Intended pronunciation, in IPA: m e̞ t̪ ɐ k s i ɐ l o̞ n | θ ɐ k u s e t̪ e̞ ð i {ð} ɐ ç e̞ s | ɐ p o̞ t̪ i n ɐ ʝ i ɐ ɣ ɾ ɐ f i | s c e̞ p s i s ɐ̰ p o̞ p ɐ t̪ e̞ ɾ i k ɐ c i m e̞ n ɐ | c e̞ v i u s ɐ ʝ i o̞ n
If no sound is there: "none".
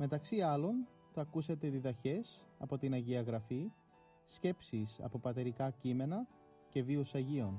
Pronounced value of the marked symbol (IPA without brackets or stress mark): ð